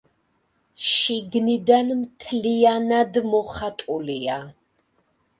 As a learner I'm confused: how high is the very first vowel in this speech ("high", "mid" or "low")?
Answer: high